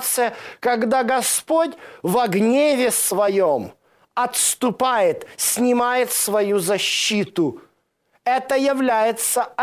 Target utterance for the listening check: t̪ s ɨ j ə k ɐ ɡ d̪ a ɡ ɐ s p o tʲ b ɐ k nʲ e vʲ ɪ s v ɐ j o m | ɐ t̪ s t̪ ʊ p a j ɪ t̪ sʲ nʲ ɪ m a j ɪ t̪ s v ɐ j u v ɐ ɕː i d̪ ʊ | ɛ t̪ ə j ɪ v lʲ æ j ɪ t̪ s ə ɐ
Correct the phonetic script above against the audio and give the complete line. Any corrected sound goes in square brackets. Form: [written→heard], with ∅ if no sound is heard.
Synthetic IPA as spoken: t̪ s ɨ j ə k ɐ ɡ d̪ a ɡ ɐ s p o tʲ [b→v] ɐ [k→ɡ] nʲ e vʲ ɪ s v ɐ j o m | ɐ t̪ s t̪ ʊ p a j ɪ t̪ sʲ nʲ ɪ m a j ɪ t̪ s v ɐ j u [v→z] ɐ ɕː i [d̪→t̪] ʊ | ɛ t̪ ə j ɪ v lʲ æ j ɪ t̪ s ə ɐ